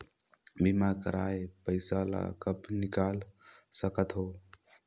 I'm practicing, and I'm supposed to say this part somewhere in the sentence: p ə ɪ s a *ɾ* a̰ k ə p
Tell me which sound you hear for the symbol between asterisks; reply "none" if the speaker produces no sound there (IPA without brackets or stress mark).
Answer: l